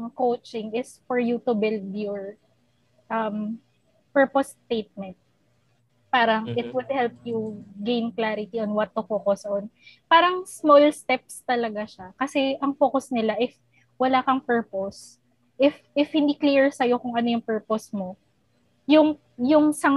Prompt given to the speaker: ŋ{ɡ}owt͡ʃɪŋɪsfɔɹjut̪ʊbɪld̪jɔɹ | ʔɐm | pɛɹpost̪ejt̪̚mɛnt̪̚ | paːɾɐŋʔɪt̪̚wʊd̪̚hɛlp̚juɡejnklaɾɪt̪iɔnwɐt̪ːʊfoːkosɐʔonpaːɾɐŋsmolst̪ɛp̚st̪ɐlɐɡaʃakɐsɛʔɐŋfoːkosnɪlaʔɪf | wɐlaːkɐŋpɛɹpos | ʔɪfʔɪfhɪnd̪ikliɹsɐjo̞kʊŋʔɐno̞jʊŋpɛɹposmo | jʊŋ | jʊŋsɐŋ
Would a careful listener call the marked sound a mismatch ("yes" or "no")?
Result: yes